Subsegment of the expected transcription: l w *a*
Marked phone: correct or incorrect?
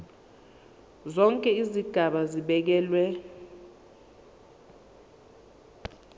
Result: incorrect